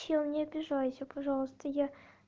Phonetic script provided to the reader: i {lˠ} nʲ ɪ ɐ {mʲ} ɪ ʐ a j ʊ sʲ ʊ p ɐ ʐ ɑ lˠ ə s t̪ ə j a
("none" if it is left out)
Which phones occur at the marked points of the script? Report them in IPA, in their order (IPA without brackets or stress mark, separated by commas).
lˠ, bʲ